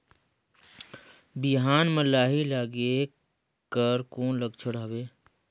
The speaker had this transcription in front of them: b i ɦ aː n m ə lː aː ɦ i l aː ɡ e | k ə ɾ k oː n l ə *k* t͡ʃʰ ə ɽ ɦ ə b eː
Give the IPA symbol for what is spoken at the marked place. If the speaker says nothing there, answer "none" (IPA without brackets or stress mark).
ɡ